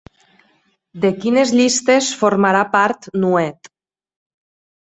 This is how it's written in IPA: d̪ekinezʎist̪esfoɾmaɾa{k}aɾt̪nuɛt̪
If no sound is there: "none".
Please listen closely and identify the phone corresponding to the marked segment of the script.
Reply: p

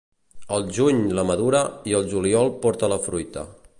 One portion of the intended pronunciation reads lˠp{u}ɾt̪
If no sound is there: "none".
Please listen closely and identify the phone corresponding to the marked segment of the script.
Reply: ɔ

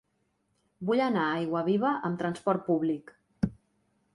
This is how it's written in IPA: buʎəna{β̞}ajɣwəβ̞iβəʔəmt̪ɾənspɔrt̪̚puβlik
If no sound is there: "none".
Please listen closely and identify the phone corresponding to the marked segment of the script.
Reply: none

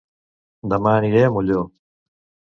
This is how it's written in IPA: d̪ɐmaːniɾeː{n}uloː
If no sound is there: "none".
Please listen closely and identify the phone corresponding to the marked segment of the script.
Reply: m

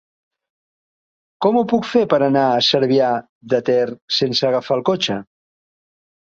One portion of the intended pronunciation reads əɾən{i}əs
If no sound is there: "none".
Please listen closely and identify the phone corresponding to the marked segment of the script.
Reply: a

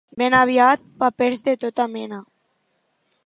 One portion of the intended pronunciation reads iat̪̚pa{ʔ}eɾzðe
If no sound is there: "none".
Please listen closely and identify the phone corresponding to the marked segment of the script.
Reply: p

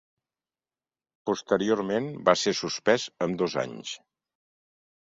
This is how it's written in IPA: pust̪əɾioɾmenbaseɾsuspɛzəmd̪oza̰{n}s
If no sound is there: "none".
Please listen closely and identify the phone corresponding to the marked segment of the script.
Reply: ɲ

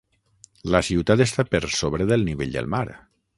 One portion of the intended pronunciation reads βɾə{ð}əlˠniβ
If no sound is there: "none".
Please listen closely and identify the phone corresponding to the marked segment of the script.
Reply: ð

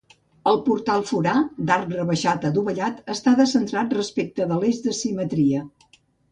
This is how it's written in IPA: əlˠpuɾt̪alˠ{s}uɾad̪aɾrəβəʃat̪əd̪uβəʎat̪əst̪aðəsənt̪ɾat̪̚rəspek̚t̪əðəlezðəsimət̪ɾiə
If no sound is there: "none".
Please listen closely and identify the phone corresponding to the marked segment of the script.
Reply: f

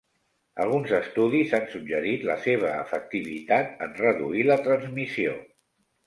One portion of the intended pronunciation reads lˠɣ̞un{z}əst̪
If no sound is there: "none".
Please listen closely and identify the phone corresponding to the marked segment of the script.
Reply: z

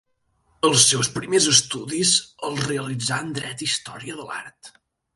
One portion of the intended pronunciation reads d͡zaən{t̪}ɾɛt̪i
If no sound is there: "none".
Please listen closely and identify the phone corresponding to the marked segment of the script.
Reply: d̪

